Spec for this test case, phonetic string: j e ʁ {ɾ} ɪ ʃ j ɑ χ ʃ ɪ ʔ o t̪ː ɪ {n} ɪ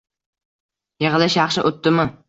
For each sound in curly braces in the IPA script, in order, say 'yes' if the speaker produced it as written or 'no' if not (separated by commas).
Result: no, no